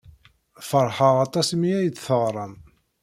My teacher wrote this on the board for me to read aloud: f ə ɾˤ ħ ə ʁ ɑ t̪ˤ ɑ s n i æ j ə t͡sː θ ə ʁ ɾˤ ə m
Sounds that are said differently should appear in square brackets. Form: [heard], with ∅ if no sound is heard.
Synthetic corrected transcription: f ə ɾˤ ħ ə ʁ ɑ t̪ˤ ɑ s [m] i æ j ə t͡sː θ ə ʁ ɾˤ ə m

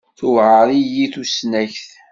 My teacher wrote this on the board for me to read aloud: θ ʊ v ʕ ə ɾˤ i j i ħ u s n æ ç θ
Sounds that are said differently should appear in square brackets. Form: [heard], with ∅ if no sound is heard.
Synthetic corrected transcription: θ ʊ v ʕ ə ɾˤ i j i [θ] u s n æ ç θ

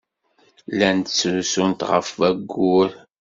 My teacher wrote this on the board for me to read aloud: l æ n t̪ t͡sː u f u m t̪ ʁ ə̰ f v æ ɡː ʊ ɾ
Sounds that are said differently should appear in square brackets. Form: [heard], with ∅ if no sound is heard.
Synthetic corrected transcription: l æ n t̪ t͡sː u [s] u [n] t̪ ʁ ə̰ f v æ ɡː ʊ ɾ

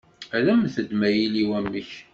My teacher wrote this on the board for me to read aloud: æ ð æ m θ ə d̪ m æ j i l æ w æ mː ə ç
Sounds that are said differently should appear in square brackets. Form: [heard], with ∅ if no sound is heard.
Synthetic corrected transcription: æ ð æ m θ ə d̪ m æ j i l [i] w æ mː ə ç

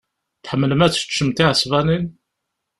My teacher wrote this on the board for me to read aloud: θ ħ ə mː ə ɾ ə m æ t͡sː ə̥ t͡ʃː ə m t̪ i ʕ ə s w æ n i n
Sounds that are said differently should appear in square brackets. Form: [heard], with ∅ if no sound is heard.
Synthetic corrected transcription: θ ħ ə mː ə [l] ə m æ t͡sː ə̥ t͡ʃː ə m t̪ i ʕ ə s [v] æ n i n

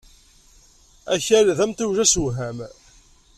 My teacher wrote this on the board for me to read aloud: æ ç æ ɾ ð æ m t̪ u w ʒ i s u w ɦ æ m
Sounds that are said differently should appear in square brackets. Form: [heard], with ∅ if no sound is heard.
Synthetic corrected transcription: æ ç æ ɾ ð æ m t̪ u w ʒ [æ] s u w ɦ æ m

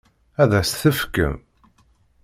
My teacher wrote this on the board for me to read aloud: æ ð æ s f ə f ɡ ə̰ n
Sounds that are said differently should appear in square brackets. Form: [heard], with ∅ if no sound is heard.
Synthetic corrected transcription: æ ð æ s [θ] ə f [k] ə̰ [m]

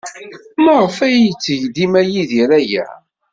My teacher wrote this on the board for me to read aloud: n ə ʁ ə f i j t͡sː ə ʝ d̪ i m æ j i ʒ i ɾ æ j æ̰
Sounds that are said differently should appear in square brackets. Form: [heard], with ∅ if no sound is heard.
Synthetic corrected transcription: [m] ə ʁ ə f [æ] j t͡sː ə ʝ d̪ i m æ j i [ð] i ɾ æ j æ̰

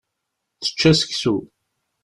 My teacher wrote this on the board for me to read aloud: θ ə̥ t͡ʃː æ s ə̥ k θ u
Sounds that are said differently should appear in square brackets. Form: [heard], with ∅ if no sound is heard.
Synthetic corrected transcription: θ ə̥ t͡ʃː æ s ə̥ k [s] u

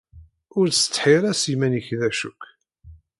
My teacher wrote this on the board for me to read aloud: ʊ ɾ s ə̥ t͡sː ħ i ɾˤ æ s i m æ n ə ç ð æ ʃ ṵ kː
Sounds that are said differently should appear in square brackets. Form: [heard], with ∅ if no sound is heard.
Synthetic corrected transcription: ʊ ɾ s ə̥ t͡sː ħ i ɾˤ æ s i m æ n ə ç ð æ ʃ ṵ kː

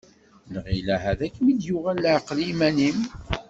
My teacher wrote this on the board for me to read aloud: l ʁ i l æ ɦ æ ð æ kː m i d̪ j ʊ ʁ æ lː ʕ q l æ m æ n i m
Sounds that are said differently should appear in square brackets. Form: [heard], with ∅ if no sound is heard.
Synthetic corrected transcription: l ʁ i l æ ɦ æ ð æ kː m i d̪ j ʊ ʁ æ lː ʕ q l [i] m æ n i m

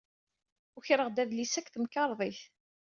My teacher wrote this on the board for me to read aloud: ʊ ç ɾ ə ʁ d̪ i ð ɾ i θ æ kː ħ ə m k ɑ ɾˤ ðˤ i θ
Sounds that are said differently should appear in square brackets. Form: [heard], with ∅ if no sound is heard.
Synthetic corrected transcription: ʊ ç ɾ ə ʁ d̪ [æ] ð [l] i [s] æ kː [θ] ə m k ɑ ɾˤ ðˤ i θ

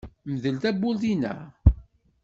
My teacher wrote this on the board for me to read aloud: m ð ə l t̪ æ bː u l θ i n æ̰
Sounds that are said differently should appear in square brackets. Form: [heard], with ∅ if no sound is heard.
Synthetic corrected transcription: m ð ə l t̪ æ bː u l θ i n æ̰

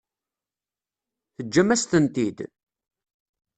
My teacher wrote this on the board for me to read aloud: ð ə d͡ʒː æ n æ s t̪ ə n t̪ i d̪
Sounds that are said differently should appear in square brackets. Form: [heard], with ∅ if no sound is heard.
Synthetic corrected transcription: [θ] ə d͡ʒː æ [m] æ s t̪ ə n t̪ i d̪

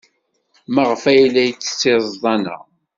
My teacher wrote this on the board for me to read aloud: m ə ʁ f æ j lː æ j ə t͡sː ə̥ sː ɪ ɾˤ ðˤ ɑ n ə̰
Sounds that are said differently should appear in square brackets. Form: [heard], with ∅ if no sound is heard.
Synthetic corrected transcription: m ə ʁ f æ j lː æ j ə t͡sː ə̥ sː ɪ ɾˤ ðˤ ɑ n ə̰

